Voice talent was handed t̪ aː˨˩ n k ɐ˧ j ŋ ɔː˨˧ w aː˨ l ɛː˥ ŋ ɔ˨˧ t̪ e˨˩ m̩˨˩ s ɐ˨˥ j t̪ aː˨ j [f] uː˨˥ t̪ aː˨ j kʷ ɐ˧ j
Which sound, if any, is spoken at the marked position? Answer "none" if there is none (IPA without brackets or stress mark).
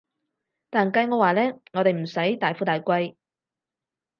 f